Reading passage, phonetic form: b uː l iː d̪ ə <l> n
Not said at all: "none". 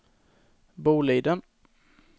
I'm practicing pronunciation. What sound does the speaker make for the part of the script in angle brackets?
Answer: none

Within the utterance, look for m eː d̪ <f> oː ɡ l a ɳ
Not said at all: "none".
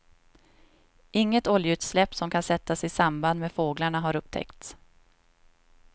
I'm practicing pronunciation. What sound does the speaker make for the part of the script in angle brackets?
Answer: f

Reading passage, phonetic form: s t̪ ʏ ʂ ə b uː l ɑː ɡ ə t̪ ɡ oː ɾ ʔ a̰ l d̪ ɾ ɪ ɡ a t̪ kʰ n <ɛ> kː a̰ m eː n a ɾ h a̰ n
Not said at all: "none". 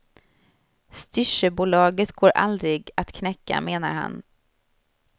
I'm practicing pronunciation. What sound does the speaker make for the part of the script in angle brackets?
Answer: ɛ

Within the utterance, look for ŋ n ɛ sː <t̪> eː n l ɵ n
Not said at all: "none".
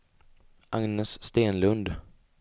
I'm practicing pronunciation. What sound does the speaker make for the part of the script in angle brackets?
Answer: t̪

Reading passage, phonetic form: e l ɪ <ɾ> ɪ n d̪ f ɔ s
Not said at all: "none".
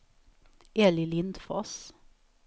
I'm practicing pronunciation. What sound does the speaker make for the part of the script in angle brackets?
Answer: l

